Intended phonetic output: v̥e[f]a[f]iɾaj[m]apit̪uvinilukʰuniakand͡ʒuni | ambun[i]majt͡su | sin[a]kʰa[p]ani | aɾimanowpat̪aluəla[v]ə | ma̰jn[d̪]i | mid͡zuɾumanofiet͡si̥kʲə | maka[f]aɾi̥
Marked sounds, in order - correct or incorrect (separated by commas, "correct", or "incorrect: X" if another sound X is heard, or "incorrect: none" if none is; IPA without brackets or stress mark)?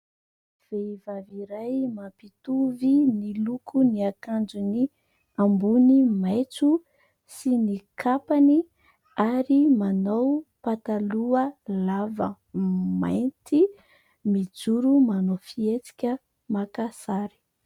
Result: incorrect: v, incorrect: v, correct, correct, incorrect: i, correct, correct, incorrect: t̪, incorrect: s